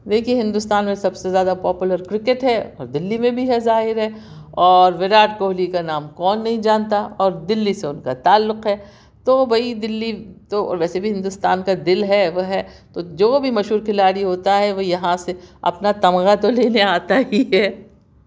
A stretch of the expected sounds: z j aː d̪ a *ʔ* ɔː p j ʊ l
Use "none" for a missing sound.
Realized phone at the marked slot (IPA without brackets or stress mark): p